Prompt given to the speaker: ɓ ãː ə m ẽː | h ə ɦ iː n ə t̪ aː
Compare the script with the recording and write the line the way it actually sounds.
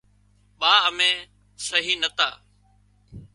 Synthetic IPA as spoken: ɓ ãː ə m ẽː | s ə ɦ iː n ə t̪ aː